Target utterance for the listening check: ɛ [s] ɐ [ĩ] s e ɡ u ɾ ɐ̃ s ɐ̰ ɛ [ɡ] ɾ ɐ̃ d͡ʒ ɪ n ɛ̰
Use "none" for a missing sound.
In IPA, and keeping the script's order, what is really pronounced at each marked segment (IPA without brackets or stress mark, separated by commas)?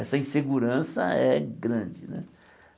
s, ĩ, ɡ